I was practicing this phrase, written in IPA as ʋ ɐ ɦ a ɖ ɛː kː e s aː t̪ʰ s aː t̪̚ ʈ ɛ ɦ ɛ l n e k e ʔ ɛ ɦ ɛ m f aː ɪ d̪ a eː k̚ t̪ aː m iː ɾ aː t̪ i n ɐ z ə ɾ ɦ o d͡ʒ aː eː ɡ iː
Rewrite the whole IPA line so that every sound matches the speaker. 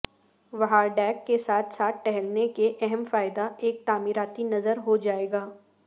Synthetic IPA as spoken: ʋ ɐ ɦ a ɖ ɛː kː e s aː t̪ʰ s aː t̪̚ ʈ ɛ ɦ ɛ l n e k e ʔ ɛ ɦ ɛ m f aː ɪ d̪ a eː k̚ t̪ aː m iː ɾ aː t̪ i n ɐ z ə ɾ ɦ o d͡ʒ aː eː ɡ aː